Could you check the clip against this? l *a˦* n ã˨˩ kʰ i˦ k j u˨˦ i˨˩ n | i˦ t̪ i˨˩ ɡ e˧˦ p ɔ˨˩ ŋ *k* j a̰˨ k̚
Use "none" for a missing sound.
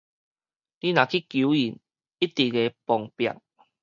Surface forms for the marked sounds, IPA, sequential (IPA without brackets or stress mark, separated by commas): i˦, p